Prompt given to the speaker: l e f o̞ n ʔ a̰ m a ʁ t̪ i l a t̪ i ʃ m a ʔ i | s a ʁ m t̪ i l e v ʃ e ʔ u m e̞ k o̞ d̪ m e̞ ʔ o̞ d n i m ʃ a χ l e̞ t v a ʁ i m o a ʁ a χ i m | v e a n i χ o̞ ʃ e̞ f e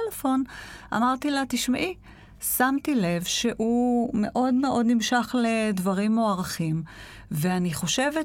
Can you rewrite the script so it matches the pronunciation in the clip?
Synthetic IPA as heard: l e f o̞ n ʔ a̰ m a ʁ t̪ i l a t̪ i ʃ m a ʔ i | s a m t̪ i l e v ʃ e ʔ u m e̞ ʔ o̞ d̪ m e̞ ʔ o̞ d n i m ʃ a χ l e̞ d v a ʁ i m o a ʁ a χ i m | v e a n i χ o̞ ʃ e̞ v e